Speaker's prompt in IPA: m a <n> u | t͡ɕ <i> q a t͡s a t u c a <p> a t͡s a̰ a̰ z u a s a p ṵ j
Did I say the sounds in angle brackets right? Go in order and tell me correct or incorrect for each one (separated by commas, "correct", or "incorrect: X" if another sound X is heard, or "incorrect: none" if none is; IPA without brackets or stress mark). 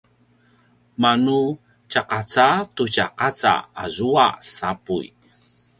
correct, incorrect: a, incorrect: q